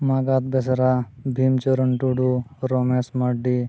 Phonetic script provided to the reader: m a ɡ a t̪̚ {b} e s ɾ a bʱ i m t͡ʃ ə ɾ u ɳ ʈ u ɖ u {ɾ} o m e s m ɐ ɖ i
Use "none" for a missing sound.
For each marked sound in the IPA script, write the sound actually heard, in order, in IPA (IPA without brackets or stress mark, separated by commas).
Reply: b, ɾ